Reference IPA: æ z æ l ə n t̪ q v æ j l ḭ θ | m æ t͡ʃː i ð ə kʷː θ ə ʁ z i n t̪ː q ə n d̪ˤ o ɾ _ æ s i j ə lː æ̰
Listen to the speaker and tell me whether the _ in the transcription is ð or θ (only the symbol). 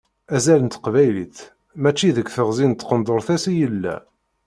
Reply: θ